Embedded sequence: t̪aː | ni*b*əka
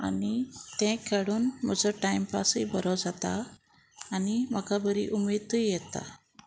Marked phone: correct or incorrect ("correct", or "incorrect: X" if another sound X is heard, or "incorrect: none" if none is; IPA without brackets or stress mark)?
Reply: incorrect: m